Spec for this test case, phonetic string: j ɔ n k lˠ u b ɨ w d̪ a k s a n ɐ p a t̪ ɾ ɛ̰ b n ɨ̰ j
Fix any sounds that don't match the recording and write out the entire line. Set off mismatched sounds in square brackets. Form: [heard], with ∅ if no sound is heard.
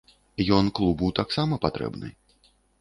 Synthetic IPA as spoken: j ɔ n k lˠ u b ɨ w [t̪] a k s a [m] ɐ p a t̪ ɾ ɛ̰ b n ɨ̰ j